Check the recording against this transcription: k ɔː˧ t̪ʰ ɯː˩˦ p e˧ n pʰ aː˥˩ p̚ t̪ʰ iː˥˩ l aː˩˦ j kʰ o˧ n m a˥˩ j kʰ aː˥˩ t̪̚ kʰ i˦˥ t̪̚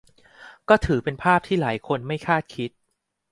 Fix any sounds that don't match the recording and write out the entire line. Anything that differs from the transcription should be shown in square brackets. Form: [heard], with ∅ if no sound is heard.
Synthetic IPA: k [ɔː˥˩] t̪ʰ ɯː˩˦ p e˧ n pʰ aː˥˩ p̚ t̪ʰ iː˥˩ l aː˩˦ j kʰ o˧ n m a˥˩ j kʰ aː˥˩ t̪̚ kʰ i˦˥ t̪̚